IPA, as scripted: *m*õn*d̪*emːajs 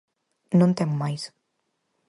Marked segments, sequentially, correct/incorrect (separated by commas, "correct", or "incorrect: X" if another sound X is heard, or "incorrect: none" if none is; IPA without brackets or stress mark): incorrect: n, incorrect: t̪